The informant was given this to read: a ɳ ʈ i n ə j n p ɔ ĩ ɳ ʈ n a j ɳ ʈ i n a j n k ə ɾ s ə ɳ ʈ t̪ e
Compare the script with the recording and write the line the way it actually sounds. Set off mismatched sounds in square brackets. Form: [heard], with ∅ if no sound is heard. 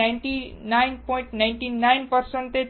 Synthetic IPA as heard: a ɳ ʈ i n [a] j n p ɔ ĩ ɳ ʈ n a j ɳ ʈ i n a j n [p] ə ɾ s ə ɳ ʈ t̪ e